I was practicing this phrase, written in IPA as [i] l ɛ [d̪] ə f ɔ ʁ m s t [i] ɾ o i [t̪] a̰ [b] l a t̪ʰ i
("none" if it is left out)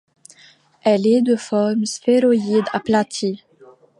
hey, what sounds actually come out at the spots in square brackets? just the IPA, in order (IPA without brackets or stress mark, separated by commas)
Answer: ɛ, d̪, e, d̪, p